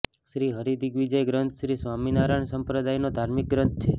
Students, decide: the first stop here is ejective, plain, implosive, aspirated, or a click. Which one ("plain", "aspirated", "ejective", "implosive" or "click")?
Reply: plain